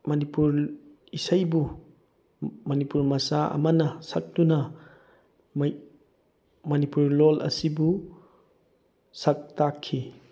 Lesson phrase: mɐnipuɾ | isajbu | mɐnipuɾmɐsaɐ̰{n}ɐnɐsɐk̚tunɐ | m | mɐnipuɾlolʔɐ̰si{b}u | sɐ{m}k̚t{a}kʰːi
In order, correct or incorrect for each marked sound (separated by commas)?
incorrect, correct, incorrect, correct